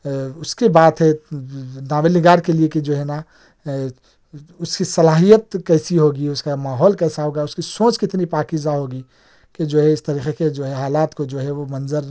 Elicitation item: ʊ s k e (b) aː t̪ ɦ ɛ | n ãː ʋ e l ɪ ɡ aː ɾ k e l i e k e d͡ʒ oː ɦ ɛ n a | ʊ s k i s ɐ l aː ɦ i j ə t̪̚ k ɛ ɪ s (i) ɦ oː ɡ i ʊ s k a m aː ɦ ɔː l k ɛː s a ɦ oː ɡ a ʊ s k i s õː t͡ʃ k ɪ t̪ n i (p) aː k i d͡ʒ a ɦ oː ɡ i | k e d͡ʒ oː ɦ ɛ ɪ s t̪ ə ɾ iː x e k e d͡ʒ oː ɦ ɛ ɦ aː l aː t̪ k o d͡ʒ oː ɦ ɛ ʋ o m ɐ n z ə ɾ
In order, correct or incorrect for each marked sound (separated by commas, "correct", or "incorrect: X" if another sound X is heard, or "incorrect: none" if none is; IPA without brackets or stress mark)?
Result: correct, correct, correct